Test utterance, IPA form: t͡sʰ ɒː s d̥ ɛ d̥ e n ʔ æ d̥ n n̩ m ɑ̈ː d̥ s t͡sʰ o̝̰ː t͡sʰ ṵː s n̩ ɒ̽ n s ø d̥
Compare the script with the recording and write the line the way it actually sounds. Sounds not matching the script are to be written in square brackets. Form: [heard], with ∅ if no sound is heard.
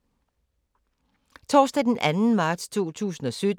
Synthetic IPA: t͡sʰ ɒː s d̥ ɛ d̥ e n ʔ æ [∅] n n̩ m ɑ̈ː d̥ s t͡sʰ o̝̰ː t͡sʰ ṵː s n̩ ɒ̽ [∅] s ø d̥

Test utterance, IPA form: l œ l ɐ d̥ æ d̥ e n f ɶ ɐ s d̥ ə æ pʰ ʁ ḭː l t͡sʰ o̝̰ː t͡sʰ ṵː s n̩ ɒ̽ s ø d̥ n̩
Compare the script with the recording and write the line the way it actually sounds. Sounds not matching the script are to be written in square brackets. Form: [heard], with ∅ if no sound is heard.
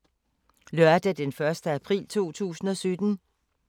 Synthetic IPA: l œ [∅] ɐ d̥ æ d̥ e n f ɶ ɐ s d̥ ə æ pʰ ʁ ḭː l t͡sʰ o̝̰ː t͡sʰ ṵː s n̩ ɒ̽ s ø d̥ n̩

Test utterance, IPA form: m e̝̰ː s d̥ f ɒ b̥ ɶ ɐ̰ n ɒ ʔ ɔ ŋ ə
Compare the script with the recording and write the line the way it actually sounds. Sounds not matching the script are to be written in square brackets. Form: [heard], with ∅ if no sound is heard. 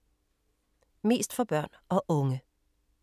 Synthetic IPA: m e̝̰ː s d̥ f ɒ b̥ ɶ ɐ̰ n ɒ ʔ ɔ ŋ ə

